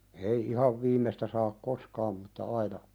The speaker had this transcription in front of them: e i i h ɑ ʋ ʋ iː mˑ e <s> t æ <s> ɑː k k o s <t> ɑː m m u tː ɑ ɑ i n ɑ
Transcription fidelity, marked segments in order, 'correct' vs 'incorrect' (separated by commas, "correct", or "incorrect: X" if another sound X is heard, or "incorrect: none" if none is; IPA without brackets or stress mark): correct, correct, incorrect: k